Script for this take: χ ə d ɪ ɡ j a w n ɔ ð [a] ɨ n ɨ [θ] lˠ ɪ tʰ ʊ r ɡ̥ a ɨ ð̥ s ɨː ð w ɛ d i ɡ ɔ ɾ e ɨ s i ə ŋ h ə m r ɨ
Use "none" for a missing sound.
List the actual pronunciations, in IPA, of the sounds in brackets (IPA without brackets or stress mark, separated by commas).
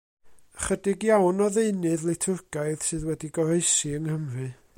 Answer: e, ð